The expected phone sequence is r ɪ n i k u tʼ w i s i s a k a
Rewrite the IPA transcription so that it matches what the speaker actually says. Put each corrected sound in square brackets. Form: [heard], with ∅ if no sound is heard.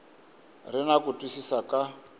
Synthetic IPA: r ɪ n [a] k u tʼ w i s i s a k a